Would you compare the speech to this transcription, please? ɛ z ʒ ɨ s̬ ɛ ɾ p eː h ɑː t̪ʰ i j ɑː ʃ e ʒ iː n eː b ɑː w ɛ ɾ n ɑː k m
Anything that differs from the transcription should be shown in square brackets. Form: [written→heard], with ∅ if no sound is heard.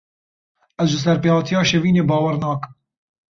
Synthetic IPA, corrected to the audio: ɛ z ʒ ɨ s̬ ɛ ɾ p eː h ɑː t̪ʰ i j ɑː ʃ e [ʒ→v] iː n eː b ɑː w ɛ ɾ n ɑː k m